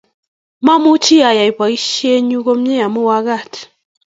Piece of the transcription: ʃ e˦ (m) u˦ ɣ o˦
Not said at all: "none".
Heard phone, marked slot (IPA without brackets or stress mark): ɲ